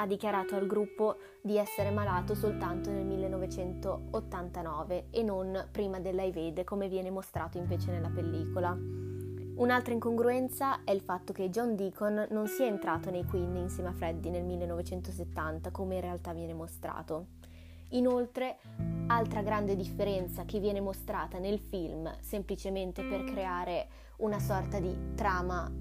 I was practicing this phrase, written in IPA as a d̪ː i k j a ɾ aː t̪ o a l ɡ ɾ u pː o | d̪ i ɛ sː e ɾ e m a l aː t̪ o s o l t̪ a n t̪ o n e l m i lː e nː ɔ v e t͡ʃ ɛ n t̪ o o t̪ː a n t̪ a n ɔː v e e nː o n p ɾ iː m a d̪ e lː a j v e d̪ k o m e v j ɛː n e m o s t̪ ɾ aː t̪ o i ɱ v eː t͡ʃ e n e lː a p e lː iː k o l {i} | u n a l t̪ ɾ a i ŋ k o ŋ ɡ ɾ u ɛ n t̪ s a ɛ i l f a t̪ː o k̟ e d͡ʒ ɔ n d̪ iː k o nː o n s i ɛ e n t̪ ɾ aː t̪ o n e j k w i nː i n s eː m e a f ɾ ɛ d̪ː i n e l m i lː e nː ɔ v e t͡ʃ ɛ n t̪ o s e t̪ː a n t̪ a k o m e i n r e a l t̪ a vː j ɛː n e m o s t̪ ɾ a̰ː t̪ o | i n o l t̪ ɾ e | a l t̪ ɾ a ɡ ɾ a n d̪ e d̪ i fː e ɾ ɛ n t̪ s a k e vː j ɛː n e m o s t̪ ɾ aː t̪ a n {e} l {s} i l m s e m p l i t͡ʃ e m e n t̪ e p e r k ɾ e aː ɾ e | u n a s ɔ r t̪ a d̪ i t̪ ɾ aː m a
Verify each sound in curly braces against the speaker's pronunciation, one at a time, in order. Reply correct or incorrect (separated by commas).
incorrect, correct, incorrect